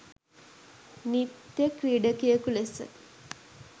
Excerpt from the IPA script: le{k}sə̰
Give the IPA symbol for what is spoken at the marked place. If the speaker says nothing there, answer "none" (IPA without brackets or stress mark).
none